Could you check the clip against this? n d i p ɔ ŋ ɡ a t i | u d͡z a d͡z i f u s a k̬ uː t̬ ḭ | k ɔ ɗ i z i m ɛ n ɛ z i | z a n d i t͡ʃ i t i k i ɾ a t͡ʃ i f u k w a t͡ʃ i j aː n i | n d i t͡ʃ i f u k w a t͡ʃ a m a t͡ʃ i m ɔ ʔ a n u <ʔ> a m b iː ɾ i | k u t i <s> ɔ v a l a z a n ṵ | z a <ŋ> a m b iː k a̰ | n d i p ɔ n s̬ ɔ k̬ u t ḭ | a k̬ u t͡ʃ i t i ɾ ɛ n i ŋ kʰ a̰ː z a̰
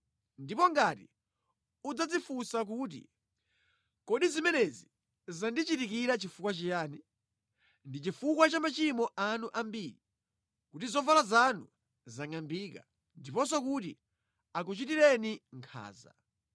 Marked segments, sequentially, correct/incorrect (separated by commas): correct, incorrect, correct